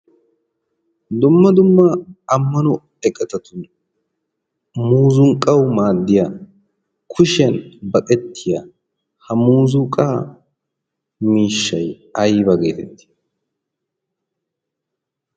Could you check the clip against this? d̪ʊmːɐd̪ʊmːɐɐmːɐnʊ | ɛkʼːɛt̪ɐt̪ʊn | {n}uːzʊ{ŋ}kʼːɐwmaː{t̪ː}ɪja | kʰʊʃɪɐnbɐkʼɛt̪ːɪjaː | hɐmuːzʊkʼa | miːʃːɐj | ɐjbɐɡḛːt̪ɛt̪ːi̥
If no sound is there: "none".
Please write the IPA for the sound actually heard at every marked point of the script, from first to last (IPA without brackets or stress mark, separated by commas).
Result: m, ŋ, d̪ː